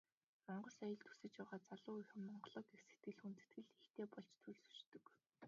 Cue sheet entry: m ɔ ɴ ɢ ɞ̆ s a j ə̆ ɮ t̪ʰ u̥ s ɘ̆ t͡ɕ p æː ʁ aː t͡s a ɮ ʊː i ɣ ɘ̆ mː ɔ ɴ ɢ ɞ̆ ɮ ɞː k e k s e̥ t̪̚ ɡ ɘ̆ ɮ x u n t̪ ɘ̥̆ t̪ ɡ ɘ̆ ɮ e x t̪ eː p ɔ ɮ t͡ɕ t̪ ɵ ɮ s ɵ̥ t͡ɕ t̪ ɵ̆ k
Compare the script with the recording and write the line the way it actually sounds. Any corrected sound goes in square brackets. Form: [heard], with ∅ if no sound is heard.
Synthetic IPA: m ɔ ɴ ɢ ɞ̆ s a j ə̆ ɮ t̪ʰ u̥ s ɘ̆ t͡ɕ p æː ʁ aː t͡s a ɮ ʊː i [x] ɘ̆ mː ɔ ɴ ɢ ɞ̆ ɮ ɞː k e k s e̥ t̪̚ ɡ ɘ̆ ɮ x u n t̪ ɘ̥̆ t̪ ɡ ɘ̆ ɮ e x t̪ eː p ɔ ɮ t͡ɕ [t̪ʰ] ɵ ɮ s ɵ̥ t͡ɕ t̪ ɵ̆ k